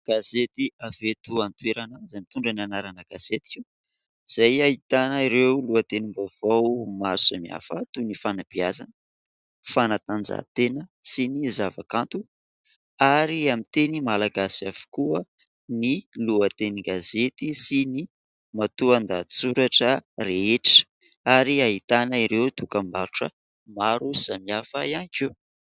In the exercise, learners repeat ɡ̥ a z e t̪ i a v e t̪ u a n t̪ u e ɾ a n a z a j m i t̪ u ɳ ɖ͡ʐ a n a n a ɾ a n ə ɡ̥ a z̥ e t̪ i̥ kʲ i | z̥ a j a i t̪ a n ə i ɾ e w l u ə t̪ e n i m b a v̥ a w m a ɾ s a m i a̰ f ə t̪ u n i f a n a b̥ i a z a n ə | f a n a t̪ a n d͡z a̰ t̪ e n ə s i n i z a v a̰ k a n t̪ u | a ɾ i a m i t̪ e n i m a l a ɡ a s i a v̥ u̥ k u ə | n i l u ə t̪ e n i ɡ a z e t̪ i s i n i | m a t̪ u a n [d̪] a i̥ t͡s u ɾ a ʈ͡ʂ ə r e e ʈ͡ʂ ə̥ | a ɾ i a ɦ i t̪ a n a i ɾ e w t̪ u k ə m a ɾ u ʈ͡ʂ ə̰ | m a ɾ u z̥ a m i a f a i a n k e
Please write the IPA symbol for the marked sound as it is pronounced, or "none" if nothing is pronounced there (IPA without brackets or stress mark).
d̪